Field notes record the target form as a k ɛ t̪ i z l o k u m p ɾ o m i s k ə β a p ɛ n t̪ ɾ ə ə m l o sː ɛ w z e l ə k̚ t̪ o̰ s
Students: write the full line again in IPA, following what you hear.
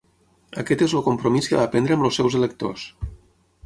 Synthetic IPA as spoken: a k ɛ t̪ e z l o k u m p ɾ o m i s k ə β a p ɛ n d̪ ɾ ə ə m l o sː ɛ w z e l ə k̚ t̪ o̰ s